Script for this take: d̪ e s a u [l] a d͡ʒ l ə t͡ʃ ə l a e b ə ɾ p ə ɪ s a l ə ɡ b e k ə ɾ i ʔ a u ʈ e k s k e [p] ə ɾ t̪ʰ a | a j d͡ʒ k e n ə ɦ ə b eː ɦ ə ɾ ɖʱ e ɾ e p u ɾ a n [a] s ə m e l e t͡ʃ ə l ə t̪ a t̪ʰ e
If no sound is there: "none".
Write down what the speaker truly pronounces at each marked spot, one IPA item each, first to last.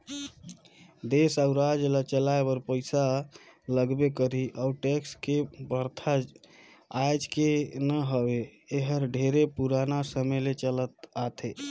ɾ, b, a

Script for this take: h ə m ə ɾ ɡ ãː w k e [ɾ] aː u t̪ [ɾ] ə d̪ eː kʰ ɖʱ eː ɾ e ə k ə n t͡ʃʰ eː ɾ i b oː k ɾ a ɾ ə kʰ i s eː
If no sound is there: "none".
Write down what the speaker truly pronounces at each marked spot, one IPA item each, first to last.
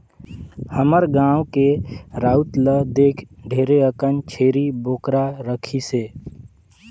ɾ, l

